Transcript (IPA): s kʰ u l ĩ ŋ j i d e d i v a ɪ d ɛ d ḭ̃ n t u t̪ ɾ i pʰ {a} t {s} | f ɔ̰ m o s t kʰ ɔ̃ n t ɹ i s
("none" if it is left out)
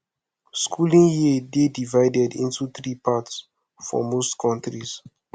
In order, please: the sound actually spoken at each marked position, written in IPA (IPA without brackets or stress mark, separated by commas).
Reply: a, s